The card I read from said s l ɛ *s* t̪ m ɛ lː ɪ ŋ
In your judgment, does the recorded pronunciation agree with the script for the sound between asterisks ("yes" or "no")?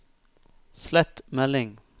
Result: no